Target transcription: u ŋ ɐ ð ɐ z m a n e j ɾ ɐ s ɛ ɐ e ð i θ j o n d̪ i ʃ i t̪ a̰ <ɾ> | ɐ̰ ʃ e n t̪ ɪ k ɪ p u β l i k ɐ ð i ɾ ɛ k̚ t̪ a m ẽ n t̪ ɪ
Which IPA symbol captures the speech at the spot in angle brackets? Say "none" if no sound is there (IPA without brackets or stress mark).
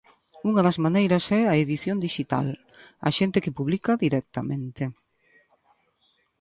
l